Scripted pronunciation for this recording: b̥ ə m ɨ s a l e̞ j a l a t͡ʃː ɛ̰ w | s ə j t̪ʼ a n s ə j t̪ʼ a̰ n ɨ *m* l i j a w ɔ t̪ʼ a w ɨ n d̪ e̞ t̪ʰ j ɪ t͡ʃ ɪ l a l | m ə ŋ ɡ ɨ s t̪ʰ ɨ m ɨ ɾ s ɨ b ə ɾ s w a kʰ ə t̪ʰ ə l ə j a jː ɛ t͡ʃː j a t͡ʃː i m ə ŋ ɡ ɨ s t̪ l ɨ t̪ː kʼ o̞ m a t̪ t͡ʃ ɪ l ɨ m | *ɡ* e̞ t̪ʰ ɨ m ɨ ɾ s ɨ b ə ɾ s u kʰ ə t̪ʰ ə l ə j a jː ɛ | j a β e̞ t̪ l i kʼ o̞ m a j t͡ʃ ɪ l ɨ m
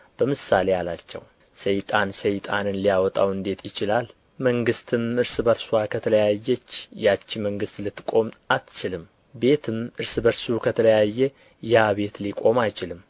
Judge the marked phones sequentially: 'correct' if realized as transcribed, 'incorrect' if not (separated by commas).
incorrect, incorrect